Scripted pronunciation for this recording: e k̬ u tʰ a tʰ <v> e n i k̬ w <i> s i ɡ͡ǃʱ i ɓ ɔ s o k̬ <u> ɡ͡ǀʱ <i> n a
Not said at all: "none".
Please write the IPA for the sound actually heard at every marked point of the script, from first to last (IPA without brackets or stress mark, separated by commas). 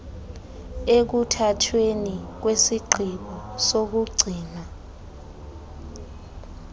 w, e, u, iː